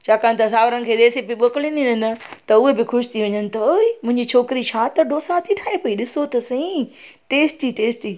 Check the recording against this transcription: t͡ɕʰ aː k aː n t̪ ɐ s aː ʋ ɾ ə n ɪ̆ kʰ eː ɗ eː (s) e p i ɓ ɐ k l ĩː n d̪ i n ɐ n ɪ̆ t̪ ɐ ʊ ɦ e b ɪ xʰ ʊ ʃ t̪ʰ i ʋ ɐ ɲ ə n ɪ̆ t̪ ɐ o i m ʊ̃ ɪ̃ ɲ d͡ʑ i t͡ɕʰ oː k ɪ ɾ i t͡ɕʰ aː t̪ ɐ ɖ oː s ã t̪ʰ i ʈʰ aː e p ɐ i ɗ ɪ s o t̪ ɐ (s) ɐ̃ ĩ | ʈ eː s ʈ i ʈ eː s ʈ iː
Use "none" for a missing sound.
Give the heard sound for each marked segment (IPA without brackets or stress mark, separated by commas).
s, s